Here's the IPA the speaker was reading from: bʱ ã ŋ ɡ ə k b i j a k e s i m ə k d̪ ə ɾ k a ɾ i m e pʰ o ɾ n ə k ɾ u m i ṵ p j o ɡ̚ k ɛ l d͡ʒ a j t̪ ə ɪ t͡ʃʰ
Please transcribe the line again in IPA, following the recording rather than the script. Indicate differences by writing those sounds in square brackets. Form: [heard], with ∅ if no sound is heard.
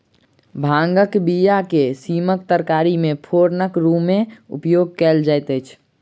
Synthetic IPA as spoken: bʱ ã ŋ ɡ ə k b i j a k e s i m ə k [t̪] ə ɾ k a ɾ i m e pʰ o ɾ n ə k ɾ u m [e] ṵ p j o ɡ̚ k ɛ l d͡ʒ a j t̪ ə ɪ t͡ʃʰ